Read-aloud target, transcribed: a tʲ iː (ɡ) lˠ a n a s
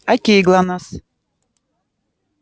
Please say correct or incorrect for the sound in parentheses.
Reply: correct